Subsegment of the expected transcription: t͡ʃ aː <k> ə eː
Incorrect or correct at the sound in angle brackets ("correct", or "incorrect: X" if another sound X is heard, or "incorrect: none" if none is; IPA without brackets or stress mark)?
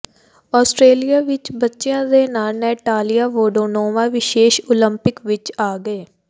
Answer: incorrect: ɡ